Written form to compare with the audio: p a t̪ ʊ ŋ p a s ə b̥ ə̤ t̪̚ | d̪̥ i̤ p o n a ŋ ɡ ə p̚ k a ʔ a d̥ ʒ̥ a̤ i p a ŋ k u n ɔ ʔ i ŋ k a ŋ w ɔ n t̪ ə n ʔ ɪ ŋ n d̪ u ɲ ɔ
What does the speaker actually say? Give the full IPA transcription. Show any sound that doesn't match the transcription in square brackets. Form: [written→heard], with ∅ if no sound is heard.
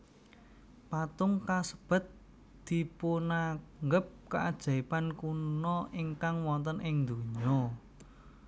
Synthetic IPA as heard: p a t̪ ʊ ŋ [p→k] a s ə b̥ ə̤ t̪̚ | d̪̥ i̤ p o n a ŋ ɡ ə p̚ k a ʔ a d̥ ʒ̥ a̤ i p a [ŋ→n] k u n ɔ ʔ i ŋ k a ŋ w ɔ n t̪ ə n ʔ ɪ ŋ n d̪ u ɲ ɔ